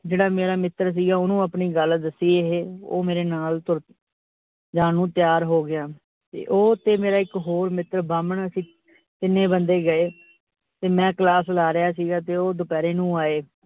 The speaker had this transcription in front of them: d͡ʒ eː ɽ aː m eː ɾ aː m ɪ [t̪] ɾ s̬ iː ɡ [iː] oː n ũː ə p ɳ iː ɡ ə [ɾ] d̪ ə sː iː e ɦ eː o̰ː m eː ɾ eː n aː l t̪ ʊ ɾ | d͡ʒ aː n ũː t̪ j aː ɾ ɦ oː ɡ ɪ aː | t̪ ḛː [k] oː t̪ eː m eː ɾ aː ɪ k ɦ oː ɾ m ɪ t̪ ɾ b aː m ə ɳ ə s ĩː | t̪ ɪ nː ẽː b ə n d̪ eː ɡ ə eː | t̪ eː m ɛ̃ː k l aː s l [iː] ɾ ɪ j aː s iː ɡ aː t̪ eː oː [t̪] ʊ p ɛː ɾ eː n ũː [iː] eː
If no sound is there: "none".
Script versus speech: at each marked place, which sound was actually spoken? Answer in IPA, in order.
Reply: t̪, aː, l, ʔ, aː, d̪, aː

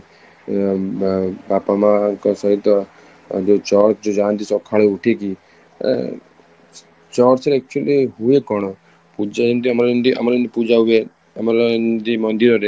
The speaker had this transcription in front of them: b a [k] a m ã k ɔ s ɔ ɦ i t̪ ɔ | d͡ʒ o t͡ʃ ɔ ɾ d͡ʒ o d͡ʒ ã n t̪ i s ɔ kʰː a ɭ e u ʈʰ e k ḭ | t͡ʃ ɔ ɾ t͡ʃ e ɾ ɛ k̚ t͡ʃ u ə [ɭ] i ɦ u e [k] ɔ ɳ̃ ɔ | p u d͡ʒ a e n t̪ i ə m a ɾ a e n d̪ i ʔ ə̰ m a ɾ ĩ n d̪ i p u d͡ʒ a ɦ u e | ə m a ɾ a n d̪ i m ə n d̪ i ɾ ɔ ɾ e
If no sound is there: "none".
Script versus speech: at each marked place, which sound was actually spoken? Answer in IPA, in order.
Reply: p, l, k

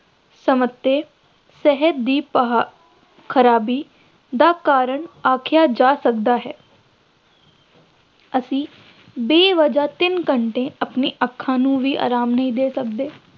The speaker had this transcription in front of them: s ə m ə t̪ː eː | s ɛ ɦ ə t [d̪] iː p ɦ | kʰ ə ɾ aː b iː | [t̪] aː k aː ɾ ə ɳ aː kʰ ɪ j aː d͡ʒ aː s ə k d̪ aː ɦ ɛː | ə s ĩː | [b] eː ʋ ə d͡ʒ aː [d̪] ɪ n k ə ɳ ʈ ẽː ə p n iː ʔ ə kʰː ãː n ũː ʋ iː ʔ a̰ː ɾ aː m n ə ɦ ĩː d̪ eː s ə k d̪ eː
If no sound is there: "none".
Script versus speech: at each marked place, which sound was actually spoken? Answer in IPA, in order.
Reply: d̪, d̪, b, t̪

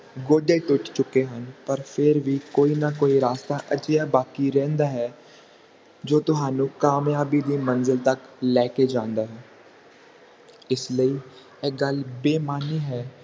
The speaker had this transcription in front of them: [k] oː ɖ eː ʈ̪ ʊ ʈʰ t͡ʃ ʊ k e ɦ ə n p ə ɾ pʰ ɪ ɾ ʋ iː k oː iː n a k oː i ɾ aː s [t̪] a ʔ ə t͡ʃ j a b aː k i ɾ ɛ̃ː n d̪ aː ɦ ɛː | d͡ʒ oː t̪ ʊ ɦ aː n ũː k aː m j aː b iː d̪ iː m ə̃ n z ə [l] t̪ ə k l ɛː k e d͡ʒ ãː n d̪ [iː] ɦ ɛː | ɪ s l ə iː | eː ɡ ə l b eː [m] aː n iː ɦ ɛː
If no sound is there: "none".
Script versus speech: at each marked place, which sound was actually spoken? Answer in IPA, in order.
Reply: ɡ, t̪, l, aː, m

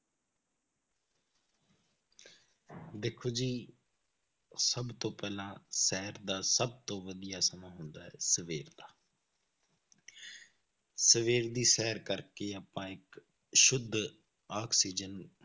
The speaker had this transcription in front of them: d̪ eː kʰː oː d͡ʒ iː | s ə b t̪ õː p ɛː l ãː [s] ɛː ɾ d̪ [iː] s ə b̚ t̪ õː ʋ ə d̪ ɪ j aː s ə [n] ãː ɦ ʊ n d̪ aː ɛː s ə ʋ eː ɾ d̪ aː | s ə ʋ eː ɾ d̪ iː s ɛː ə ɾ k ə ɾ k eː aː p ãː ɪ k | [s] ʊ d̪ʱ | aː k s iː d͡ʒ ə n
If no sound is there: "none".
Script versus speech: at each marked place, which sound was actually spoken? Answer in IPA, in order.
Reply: s, aː, m, ʃ

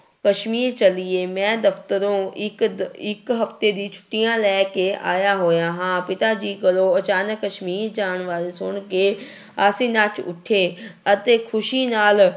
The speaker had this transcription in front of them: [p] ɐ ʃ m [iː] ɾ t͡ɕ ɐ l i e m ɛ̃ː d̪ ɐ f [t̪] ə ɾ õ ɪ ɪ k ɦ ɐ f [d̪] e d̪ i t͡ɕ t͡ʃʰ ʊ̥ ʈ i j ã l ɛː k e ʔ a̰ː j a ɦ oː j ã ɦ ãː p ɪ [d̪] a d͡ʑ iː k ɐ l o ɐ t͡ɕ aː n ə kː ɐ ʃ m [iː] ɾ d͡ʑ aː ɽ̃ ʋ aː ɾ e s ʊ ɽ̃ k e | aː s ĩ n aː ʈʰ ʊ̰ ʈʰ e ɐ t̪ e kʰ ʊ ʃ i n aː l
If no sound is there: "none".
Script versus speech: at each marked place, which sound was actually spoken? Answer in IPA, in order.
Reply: k, iː, t̪, t̪, t̪, iː

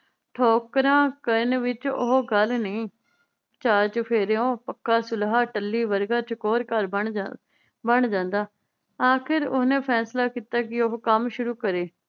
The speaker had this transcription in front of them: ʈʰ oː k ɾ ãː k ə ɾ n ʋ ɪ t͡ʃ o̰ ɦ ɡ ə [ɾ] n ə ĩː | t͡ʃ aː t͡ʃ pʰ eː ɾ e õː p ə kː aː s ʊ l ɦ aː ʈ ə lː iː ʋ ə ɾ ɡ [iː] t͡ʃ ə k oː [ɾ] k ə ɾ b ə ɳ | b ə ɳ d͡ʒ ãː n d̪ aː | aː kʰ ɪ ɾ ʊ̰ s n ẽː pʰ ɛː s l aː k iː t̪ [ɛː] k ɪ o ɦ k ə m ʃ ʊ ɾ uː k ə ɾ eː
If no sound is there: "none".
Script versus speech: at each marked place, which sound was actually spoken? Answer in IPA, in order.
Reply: l, aː, ɾ, aː

